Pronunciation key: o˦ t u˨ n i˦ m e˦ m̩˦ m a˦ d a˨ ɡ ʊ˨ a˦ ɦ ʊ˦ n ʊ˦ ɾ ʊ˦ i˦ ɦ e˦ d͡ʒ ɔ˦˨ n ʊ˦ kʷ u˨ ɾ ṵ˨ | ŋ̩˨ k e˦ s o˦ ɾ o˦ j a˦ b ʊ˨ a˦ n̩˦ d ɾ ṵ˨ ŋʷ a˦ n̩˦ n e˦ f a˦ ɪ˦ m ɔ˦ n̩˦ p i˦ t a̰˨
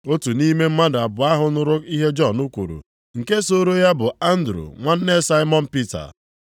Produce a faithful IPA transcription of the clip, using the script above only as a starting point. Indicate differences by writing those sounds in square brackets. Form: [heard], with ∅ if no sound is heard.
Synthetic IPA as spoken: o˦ t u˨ n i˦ m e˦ m̩˦ m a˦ d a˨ [b] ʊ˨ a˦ ɦ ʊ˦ n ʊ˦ ɾ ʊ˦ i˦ ɦ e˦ d͡ʒ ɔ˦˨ n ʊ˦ kʷ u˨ ɾ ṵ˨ | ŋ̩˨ k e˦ s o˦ ɾ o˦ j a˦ b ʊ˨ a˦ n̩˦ d ɾ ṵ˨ ŋʷ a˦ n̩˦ n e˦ [s] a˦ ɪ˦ m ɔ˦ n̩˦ p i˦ t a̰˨